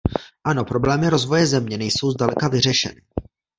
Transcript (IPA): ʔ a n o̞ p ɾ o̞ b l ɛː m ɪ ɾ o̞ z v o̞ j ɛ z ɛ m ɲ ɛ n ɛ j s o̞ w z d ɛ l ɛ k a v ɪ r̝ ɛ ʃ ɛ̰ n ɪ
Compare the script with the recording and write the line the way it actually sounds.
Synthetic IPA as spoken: ʔ a n o̞ p ɾ o̞ b l ɛː m ɪ ɾ o̞ z v o̞ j ɛ z ɛ m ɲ ɛ n ɛ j s o̞ w z d a l ɛ k a v ɪ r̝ ɛ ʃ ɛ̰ n ɪ